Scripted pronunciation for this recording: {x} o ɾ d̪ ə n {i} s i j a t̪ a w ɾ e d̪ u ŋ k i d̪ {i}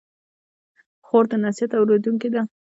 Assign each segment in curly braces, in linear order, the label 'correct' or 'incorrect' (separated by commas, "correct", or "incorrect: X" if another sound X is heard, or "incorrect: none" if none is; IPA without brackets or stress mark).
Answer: correct, incorrect: a, incorrect: a